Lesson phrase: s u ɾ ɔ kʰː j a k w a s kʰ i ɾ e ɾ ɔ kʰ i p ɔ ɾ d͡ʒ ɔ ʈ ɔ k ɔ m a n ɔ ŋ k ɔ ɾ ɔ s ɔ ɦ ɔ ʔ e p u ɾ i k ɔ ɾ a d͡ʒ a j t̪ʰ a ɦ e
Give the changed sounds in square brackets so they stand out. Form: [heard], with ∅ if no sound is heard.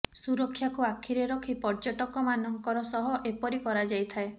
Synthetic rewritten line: s u ɾ ɔ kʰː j a k [u] a [∅] kʰ i ɾ e ɾ ɔ kʰ i p ɔ ɾ d͡ʒ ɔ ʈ ɔ k ɔ m a n ɔ ŋ k ɔ ɾ ɔ s ɔ ɦ ɔ ʔ e p [ɔ] ɾ i k ɔ ɾ a d͡ʒ a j t̪ʰ a [∅] e